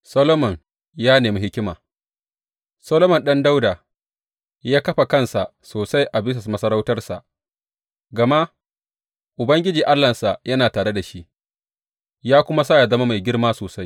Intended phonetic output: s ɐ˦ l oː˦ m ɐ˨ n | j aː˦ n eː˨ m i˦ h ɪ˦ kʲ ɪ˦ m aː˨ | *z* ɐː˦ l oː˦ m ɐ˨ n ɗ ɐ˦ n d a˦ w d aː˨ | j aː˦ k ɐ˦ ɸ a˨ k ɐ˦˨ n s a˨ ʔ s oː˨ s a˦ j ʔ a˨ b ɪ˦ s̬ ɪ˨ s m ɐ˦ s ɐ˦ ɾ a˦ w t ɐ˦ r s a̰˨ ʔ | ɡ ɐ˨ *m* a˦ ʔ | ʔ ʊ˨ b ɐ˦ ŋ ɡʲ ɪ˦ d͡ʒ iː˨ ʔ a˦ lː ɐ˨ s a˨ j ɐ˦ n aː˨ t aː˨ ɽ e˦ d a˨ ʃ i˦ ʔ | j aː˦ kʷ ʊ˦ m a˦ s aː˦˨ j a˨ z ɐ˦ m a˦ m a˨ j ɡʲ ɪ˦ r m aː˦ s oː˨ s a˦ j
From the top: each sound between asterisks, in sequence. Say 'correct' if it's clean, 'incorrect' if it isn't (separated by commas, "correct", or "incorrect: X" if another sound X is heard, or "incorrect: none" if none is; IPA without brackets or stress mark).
incorrect: s, correct